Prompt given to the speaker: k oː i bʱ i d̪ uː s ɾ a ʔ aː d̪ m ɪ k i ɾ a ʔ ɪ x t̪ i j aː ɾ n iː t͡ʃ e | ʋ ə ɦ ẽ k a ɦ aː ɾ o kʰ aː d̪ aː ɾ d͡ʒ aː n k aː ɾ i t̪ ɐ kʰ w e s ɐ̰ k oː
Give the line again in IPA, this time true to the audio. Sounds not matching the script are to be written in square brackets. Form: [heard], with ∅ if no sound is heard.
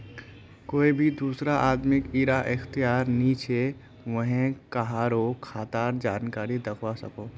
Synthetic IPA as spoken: k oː i bʱ i d̪ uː s ɾ a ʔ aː d̪ m ɪ k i ɾ a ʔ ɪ x t̪ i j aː ɾ n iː t͡ʃ e | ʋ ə ɦ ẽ k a ɦ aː ɾ o kʰ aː [t̪] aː ɾ d͡ʒ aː n k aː ɾ i [d̪] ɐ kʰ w [a] s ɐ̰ k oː